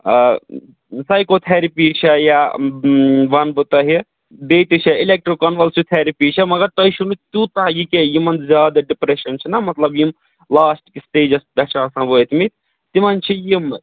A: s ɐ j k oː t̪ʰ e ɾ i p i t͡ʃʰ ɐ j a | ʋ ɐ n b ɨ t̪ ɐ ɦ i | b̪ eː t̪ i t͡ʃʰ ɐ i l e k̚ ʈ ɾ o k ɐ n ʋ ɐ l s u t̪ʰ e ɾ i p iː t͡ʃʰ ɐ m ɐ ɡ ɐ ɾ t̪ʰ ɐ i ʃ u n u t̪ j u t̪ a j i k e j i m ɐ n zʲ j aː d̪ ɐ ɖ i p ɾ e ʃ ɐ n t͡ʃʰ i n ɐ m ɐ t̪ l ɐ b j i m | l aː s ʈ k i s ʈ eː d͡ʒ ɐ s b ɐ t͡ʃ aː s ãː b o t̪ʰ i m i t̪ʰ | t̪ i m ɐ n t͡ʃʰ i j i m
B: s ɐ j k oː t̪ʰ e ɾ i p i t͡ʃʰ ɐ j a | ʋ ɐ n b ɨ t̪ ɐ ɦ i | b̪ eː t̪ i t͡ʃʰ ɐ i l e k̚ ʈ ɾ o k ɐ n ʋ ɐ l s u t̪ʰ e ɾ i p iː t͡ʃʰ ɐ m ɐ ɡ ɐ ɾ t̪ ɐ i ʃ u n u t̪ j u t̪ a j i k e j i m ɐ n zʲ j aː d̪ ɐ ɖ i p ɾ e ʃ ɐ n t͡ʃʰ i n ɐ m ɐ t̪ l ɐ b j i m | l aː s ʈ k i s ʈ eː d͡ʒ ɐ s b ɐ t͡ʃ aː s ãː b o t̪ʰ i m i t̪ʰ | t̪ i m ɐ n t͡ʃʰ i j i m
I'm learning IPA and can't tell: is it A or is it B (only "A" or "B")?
B